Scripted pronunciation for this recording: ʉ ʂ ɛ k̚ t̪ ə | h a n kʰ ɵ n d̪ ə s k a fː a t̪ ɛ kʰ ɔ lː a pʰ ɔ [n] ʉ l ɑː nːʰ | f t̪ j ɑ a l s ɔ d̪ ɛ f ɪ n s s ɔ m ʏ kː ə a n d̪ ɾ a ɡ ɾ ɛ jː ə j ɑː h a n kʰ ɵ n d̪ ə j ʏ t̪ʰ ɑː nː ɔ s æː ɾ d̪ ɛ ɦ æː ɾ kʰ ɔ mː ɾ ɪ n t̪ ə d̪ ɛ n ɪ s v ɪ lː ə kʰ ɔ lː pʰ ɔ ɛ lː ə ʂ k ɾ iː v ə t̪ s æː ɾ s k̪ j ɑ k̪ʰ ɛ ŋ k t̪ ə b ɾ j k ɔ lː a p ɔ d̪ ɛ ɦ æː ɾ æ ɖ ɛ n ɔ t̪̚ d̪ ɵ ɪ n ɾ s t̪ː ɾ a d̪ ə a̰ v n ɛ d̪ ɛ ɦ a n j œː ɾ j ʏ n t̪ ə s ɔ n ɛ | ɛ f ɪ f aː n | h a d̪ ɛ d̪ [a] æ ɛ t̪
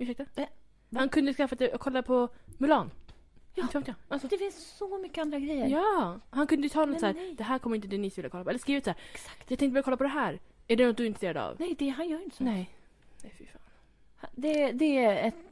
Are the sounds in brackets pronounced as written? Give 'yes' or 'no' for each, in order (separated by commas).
no, no